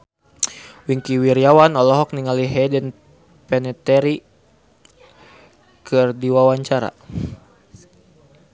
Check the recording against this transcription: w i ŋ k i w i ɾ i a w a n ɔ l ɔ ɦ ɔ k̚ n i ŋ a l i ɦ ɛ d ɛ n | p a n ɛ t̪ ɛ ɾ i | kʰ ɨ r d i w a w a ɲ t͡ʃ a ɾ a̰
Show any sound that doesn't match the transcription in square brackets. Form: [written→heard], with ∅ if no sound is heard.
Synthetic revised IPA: w i ŋ k i w i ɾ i a w a n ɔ l ɔ ɦ ɔ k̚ n i ŋ a l i ɦ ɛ d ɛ n | p [a→ɛ] n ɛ t̪ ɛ ɾ i | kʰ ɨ r d i w a w a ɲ t͡ʃ a ɾ a̰